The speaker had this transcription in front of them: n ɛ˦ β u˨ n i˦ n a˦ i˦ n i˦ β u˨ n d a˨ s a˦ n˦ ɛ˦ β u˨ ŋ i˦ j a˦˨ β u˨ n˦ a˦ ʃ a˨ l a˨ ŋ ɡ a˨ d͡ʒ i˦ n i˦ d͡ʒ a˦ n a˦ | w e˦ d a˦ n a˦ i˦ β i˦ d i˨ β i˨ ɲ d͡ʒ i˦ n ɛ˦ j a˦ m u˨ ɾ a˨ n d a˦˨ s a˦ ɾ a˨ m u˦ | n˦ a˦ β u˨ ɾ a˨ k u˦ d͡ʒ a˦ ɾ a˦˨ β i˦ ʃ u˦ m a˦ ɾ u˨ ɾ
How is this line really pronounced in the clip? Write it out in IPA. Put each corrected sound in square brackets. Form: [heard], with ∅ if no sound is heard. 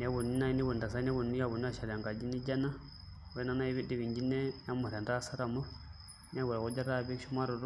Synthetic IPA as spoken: n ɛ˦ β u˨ n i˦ n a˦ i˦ n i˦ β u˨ n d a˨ s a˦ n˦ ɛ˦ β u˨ [n] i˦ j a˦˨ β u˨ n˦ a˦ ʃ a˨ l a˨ ŋ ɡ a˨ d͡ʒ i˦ n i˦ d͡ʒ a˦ n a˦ | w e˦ [n] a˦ n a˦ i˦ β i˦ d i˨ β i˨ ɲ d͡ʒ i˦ n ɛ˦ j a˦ m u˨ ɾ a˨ n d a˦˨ s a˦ ɾ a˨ m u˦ | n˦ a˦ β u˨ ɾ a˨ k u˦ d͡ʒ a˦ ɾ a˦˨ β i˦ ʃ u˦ m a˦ ɾ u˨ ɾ